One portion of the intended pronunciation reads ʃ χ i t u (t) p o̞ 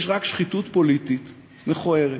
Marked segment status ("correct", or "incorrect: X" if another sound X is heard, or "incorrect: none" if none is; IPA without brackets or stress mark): correct